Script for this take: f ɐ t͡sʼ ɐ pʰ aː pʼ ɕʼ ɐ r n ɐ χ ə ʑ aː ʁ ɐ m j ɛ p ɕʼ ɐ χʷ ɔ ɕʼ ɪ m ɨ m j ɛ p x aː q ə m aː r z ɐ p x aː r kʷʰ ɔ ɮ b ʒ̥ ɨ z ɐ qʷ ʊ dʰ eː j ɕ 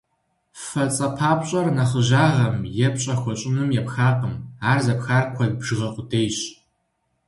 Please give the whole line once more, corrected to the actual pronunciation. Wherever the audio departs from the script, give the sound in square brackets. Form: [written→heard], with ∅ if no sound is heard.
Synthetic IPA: f ɐ t͡sʼ ɐ pʰ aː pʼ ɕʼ ɐ r n ɐ χ ə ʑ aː ʁ ɐ m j ɛ p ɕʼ ɐ [χʷ→xʷ] ɔ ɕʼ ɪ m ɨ m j ɛ p x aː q ə m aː r z ɐ p x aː r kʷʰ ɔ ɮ b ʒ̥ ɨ [z→ʁ] ɐ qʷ ʊ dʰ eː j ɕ